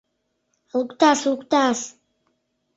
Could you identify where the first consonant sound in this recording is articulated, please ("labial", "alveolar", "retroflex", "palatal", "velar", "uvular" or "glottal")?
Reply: alveolar